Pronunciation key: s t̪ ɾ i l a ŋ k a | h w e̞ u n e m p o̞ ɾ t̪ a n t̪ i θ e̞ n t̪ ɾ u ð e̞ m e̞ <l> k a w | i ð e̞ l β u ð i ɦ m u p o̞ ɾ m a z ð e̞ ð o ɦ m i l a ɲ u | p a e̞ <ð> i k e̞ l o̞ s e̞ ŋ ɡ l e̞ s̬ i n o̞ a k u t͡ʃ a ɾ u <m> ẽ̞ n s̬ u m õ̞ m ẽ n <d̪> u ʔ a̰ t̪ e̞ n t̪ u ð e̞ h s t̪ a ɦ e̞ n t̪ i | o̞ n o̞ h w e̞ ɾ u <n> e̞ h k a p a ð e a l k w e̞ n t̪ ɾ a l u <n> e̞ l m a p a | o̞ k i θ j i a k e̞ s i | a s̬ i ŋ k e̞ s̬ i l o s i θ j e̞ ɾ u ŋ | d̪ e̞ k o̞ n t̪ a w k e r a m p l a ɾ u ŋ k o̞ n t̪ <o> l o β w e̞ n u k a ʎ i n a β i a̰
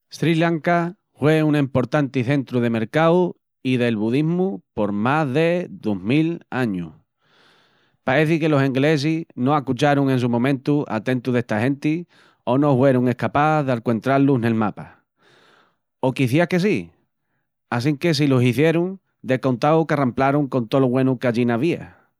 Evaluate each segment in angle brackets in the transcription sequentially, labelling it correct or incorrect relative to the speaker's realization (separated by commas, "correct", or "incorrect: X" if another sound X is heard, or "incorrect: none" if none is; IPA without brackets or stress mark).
incorrect: ɾ, incorrect: θ, incorrect: ŋ, incorrect: t̪, incorrect: ŋ, correct, correct